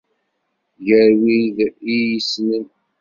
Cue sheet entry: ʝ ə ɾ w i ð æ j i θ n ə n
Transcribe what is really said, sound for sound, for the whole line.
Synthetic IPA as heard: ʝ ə ɾ w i ð i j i s n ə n